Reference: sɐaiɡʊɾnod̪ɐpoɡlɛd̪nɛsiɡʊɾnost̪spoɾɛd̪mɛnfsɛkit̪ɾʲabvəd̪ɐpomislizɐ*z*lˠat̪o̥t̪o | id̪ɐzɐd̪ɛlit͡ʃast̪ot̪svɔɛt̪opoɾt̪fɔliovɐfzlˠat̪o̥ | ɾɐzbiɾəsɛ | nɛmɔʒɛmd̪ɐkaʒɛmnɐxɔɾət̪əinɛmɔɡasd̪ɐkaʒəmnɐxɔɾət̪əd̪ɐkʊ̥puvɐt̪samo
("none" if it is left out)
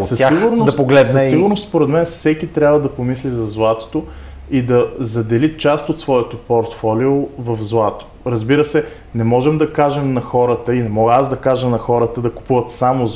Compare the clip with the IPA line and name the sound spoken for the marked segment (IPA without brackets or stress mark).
z